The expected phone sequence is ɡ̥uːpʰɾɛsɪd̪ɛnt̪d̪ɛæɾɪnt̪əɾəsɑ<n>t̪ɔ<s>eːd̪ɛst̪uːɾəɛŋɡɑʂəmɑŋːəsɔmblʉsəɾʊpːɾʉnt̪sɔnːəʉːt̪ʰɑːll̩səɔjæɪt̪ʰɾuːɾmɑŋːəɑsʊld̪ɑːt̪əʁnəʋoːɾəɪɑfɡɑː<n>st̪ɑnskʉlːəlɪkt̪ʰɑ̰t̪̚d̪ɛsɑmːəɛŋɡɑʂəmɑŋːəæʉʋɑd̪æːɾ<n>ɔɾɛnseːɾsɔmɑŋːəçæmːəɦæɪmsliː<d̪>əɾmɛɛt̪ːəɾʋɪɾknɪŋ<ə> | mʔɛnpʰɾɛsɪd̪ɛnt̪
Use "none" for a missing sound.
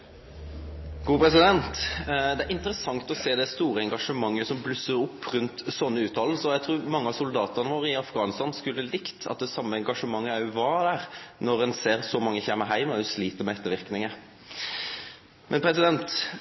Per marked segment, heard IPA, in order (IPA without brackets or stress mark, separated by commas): ŋ, s, n, n, t̪, ə